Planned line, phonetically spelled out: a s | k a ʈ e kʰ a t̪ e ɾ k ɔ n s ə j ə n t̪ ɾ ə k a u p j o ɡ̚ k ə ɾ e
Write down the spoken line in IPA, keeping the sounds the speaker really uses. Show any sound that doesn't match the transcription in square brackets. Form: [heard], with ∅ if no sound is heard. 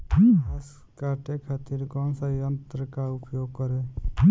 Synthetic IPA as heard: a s | k a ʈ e kʰ a t̪ [i] ɾ k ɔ n s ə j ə n t̪ ɾ ə k a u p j o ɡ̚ k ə ɾ e